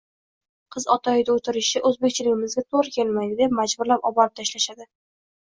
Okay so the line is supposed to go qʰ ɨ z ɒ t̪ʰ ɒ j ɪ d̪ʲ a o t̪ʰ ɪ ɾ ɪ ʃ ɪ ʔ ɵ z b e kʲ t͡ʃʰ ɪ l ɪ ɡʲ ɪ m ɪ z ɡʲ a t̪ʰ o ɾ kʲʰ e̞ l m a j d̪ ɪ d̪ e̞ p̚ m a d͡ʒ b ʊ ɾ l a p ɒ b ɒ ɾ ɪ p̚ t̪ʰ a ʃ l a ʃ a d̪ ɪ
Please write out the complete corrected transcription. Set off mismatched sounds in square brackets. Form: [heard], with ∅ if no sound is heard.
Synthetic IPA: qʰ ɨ z ɒ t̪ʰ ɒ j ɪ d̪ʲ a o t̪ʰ ɪ ɾ ɪ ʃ ɪ ʔ ɵ z b e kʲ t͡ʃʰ ɪ l ɪ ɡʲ ɪ m ɪ z ɡʲ a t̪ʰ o ɾ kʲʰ e̞ l m a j d̪ ɪ d̪ e̞ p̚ m a d͡ʒ b ʊ ɾ l a p ɒ b ɒ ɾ ɪ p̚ t̪ʰ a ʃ l a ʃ a d̪ ɪ